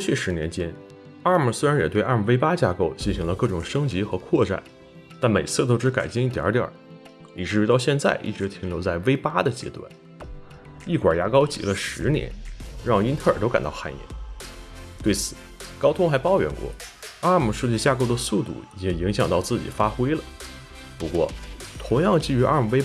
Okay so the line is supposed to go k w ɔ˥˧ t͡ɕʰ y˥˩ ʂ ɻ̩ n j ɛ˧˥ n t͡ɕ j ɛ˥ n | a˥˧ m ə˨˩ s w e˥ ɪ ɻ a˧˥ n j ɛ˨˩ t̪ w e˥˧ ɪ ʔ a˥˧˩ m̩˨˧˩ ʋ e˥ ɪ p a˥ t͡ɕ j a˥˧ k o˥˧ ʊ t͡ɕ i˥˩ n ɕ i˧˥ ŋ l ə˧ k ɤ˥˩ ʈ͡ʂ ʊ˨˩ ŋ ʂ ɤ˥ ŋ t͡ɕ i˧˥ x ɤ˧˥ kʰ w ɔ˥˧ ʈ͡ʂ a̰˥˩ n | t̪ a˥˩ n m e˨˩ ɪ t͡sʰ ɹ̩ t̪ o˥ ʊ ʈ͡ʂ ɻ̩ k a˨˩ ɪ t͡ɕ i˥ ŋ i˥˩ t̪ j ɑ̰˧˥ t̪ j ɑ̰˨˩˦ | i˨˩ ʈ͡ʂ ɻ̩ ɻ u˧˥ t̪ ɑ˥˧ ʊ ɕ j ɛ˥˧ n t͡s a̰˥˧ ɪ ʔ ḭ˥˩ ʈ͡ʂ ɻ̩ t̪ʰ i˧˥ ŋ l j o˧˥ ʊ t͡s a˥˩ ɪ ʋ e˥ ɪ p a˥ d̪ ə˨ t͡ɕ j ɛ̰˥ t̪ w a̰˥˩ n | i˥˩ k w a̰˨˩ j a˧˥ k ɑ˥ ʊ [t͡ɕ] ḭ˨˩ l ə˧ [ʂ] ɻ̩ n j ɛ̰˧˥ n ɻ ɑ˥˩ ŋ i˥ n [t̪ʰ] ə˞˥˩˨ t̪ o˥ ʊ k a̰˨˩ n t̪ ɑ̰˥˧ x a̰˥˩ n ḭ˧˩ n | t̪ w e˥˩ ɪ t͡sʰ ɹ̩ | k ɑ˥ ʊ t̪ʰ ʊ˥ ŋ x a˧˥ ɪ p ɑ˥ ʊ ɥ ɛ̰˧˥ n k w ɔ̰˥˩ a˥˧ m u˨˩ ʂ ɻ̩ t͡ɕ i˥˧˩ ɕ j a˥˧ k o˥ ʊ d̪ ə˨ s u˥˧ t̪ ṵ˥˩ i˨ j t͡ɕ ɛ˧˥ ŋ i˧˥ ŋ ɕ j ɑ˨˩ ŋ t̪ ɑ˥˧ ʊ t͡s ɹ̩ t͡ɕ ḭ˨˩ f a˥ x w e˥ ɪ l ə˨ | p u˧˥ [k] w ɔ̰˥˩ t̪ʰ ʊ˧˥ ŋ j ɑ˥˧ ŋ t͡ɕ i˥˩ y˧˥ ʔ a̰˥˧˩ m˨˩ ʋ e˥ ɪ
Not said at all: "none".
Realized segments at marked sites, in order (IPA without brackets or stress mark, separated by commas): t͡ɕ, ʂ, t̪ʰ, k